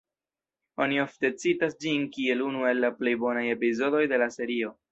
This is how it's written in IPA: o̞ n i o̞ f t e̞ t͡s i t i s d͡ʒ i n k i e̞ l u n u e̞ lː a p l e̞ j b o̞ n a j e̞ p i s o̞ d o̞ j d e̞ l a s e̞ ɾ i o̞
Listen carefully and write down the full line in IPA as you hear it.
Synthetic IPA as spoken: o̞ n i o̞ f t e̞ t͡s i t a s d͡ʒ i n k i e̞ l u n u e̞ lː a p l e̞ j b o̞ n a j e̞ p i z o̞ d o̞ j d e̞ l a s e̞ ɾ i o̞